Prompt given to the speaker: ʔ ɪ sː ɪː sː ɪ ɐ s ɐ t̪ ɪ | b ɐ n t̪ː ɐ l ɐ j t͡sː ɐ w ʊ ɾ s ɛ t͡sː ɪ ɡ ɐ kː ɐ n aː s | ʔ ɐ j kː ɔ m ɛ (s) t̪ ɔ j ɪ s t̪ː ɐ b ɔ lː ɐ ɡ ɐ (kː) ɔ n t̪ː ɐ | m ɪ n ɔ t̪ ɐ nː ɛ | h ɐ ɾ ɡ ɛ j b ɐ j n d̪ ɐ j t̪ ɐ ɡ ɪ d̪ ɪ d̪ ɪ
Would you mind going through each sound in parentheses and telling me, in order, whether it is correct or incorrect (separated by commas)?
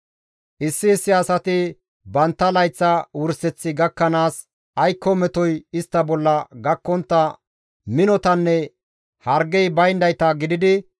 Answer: incorrect, correct